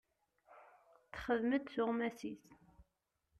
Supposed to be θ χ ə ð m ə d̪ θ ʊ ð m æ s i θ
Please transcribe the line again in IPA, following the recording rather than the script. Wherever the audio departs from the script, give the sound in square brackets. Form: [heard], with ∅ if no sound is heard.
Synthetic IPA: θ χ ə ð m ə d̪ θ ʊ [ʁ] m æ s i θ